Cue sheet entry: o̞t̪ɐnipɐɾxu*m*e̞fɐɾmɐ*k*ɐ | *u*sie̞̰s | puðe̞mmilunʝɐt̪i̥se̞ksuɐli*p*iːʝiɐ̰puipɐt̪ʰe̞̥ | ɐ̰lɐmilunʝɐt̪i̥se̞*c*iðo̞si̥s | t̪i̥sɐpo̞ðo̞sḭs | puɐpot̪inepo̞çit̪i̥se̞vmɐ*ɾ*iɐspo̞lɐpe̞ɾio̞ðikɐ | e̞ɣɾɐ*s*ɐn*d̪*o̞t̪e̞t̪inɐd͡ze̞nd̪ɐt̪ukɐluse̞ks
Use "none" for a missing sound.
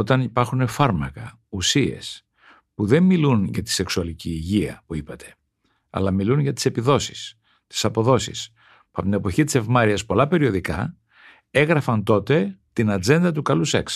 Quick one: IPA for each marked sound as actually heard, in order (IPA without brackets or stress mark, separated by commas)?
n, k, u, c, p, ɾ, f, t̪